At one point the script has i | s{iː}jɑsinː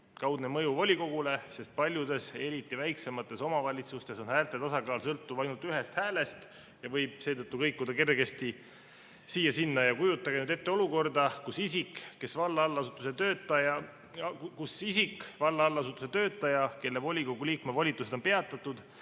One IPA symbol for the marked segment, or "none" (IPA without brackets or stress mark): iː